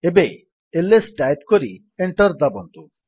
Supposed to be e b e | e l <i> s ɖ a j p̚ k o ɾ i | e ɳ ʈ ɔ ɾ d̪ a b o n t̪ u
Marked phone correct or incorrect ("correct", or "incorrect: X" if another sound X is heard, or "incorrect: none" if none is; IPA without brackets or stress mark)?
incorrect: e